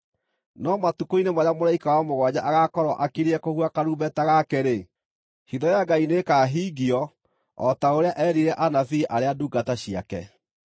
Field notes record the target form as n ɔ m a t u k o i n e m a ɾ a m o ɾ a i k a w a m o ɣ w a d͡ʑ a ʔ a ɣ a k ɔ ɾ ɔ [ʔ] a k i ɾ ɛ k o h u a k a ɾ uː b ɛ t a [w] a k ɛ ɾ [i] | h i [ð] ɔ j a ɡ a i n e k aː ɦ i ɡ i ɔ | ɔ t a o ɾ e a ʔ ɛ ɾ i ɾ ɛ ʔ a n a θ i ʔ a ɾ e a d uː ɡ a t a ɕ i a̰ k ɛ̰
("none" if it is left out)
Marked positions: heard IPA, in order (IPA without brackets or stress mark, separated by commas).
ʔ, ɣ, e, ð